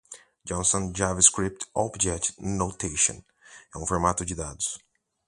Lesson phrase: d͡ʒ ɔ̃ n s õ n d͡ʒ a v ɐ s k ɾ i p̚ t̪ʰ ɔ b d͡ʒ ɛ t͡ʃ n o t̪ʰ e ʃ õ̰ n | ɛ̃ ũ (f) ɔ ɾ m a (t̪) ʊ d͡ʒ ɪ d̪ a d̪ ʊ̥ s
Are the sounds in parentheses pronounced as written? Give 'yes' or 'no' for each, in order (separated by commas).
yes, yes